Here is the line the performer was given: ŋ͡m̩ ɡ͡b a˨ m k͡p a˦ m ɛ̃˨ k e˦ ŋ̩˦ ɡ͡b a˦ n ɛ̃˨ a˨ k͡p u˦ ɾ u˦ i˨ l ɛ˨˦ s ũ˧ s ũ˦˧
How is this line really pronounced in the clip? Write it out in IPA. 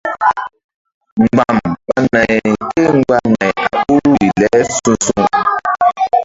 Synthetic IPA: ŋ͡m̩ ɡ͡b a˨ m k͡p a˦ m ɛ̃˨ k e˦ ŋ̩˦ ɡ͡b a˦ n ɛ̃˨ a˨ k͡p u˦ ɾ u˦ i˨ l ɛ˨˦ s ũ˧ s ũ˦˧